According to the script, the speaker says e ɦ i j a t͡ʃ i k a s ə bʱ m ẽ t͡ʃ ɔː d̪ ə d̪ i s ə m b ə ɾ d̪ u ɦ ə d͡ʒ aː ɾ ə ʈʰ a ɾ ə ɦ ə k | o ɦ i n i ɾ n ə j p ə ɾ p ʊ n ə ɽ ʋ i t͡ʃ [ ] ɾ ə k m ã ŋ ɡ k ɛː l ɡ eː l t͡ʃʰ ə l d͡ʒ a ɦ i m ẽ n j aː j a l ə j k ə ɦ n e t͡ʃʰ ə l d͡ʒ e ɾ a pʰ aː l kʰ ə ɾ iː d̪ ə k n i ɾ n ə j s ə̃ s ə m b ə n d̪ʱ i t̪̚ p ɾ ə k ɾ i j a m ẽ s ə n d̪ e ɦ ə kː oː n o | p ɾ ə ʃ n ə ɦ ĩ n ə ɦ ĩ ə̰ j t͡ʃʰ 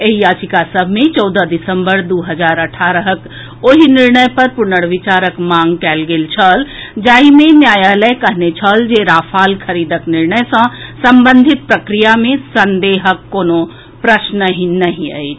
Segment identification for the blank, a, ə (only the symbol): a